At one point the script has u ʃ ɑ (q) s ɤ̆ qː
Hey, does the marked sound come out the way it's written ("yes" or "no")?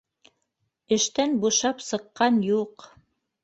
no